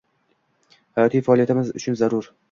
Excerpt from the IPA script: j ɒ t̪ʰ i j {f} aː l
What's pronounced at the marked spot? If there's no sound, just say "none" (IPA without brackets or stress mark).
f